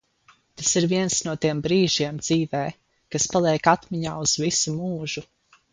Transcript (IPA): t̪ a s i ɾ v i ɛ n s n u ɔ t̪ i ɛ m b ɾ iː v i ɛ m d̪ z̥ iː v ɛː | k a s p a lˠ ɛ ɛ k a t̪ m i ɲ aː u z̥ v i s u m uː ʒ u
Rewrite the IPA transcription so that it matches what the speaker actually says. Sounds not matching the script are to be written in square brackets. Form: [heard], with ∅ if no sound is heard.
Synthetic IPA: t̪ a s i ɾ v i ɛ n s n u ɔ t̪ i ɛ m b ɾ iː [ʒ] i ɛ m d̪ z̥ iː v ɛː | k a s p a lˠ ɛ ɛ k a t̪ m i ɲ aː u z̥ v i s u m uː ʒ u